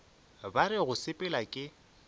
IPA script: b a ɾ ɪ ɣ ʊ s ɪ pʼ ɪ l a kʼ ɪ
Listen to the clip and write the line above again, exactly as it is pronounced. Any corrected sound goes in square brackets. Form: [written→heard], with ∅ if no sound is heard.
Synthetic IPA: b a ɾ ɪ ɣ ʊ s ɪ pʼ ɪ l a kʼ ɪ